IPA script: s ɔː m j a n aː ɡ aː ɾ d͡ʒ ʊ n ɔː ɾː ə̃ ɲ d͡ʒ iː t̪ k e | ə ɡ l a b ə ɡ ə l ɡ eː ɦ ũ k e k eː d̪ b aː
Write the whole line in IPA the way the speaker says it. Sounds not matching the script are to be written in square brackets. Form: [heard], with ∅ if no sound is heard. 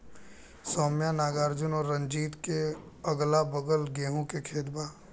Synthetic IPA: s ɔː m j a n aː ɡ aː ɾ d͡ʒ ʊ n ɔː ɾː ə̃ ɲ d͡ʒ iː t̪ k e | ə ɡ l a b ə ɡ ə l ɡ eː ɦ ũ k e [kʰ] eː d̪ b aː